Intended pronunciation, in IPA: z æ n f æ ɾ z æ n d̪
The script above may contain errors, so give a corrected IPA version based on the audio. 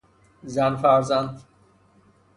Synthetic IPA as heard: z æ n f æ ɾ z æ n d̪